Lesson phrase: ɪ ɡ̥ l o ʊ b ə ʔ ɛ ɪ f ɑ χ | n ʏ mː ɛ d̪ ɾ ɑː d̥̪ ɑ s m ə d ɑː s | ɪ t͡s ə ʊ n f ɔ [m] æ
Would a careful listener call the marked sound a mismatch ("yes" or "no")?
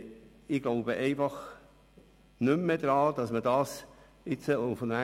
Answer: yes